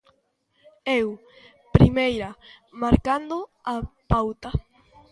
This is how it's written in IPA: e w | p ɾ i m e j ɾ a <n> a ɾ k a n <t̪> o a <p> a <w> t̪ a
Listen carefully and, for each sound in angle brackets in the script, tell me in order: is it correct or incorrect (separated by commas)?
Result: incorrect, incorrect, correct, correct